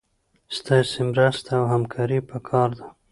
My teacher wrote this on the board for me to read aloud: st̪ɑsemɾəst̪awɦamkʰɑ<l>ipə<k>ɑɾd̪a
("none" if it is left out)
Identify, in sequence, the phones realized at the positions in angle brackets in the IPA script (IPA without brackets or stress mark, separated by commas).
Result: ɾ, kʰ